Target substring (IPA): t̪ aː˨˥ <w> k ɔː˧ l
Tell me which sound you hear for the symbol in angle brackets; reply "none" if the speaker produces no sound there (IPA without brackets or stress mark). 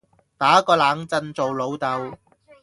none